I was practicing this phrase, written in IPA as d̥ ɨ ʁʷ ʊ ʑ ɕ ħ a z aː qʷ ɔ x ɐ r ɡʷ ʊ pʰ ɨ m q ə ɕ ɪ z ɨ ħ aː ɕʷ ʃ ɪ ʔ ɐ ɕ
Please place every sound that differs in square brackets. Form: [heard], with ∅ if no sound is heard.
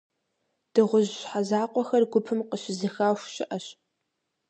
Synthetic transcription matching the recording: d̥ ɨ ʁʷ ʊ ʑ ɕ ħ a z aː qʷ ɔ x ɐ r ɡʷ ʊ pʰ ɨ m q ə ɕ ɪ z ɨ [x] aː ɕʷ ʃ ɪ ʔ ɐ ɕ